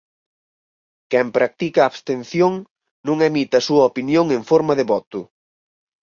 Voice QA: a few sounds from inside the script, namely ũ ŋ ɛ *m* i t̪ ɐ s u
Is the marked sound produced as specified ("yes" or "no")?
yes